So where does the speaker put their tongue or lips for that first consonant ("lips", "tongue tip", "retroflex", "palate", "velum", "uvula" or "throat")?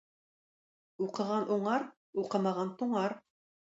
uvula